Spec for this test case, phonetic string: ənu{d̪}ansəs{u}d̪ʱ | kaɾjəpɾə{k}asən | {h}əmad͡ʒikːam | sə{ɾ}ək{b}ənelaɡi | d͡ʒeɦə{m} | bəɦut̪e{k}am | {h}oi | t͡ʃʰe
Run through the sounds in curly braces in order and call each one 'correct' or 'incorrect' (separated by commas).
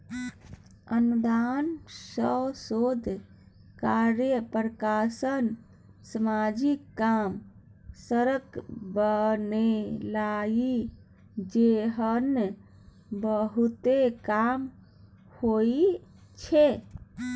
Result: correct, incorrect, correct, incorrect, correct, correct, incorrect, correct, correct